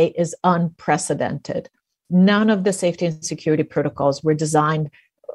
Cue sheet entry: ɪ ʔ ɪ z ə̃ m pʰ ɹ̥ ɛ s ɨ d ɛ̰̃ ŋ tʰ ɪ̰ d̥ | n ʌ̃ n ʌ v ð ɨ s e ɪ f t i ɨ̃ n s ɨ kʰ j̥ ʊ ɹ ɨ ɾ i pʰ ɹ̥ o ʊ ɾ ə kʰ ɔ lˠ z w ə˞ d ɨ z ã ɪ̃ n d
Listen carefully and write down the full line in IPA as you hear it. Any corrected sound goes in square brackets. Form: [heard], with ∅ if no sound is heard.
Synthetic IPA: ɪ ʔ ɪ z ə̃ [n] pʰ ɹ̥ ɛ s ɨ d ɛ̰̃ [n] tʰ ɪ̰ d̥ | n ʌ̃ n ʌ v ð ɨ s e ɪ f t i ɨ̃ n s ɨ kʰ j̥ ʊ ɹ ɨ ɾ i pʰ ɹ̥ o ʊ ɾ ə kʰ ɔ lˠ z w ə˞ d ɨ z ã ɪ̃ n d